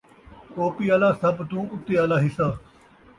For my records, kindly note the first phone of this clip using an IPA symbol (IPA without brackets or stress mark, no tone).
k